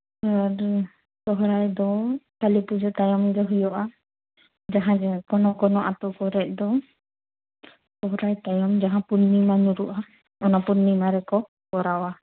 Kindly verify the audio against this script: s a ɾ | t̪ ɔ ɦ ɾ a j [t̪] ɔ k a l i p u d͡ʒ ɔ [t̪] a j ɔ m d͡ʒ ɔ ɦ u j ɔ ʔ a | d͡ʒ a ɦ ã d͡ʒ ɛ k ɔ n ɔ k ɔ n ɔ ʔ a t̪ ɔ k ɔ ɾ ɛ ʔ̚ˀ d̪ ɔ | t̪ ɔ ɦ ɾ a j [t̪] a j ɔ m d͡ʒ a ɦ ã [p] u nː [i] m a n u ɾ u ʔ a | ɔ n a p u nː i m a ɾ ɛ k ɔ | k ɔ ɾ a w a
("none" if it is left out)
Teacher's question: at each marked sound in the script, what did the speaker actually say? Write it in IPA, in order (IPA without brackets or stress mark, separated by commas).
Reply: d̪, t̪, t̪, p, i